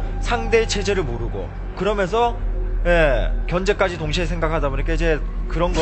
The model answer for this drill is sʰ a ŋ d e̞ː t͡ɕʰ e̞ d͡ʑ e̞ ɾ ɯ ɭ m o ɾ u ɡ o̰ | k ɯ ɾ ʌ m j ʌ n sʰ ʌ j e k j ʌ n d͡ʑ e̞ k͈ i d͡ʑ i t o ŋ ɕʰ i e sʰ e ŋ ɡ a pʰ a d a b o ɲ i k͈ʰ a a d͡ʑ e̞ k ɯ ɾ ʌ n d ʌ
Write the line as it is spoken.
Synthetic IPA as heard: sʰ a ŋ d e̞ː t͡ɕʰ e̞ d͡ʑ e̞ ɾ ɯ ɭ m o ɾ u ɡ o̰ | k ɯ ɾ ʌ m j ʌ n sʰ ʌ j e k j ʌ n d͡ʑ e̞ k͈ a d͡ʑ i t o ŋ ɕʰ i e sʰ e ŋ ɡ a kʰ a d a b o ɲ i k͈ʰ a i d͡ʑ e̞ k ɯ ɾ ʌ n ɡ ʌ